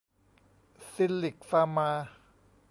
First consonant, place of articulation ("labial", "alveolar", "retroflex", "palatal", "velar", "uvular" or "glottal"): alveolar